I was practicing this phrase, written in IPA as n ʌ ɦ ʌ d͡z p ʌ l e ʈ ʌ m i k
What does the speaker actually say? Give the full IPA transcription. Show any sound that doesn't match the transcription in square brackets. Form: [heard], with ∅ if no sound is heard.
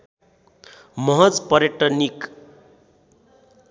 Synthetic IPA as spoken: [m] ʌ ɦ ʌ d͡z p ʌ [ɾ] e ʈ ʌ [n] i k